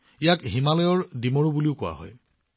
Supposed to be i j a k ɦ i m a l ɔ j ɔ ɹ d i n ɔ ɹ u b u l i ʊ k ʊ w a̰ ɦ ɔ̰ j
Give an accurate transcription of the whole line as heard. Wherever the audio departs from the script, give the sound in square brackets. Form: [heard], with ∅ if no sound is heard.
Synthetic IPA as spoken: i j a k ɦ i m a l ɔ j ɔ ɹ d i [m] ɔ ɹ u b u l i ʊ k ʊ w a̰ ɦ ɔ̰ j